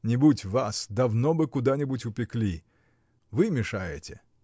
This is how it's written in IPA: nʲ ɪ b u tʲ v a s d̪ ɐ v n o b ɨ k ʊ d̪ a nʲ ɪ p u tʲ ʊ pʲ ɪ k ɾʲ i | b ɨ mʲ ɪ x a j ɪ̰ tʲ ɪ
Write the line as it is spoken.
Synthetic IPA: nʲ ɪ b u tʲ v a s d̪ ɐ v n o b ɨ k ʊ d̪ a nʲ ɪ b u tʲ ʊ pʲ ɪ k lʲ i | v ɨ mʲ ɪ ʂ a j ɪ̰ tʲ ɪ